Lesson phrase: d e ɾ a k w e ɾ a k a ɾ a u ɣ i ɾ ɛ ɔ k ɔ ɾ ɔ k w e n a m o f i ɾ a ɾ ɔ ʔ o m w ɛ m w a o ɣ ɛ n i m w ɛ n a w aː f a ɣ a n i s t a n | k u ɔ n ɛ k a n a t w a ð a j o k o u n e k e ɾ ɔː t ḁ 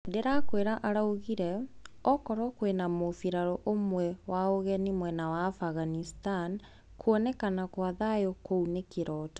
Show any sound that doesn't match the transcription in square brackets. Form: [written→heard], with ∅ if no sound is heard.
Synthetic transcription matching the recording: d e ɾ a k w e ɾ a [k→ʔ] a ɾ a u ɣ i ɾ ɛ ɔ k ɔ ɾ ɔ k w e n a m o f i ɾ a ɾ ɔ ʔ o m w ɛ [m→∅] w a o ɣ ɛ n i m w ɛ n a w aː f a ɣ a n i s t a n | k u ɔ n ɛ k a n a [t→k] w a ð a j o k o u n e k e ɾ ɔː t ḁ